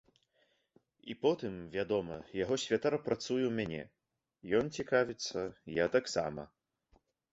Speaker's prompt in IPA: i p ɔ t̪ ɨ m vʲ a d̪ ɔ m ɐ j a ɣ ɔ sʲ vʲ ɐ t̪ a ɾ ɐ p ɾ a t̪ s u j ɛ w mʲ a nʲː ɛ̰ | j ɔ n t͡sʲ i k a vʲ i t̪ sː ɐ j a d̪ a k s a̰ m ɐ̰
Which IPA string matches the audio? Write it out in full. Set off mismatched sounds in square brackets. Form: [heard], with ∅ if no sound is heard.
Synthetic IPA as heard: i p ɔ t̪ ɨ m vʲ a d̪ ɔ m ɐ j a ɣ ɔ sʲ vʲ [a] t̪ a ɾ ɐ p ɾ a t̪ s u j ɛ w mʲ a [nʲ] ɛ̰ | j ɔ n t͡sʲ i k a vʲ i t̪ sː ɐ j a [t̪] a k s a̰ m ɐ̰